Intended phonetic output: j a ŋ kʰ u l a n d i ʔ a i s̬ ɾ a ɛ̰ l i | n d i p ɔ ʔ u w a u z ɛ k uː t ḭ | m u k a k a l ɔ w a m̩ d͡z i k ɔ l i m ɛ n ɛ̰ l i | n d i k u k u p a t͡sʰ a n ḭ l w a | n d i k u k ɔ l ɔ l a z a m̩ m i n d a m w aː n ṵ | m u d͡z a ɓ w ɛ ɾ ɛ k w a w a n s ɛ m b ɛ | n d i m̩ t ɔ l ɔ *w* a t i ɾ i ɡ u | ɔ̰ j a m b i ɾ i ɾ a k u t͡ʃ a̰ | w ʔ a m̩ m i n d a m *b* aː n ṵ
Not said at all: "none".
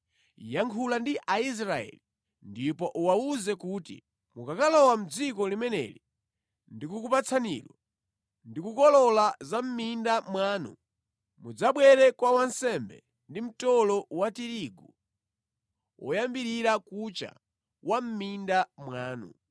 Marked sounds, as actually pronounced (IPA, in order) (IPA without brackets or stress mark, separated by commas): w, w